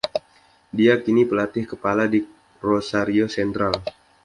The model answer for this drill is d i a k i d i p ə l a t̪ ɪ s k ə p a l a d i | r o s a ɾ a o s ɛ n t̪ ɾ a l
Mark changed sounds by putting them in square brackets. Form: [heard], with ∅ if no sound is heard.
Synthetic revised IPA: d i a k i [n] i p ə l a t̪ ɪ [h] k ə p a l a d i | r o s a ɾ [i] o s ɛ n t̪ ɾ a l